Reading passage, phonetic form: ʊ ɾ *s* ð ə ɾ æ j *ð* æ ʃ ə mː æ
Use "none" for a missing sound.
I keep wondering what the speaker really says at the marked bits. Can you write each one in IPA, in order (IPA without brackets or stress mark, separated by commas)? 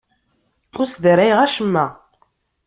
s, ʁ